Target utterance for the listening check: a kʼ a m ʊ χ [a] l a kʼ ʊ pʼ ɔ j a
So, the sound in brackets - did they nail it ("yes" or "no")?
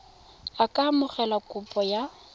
no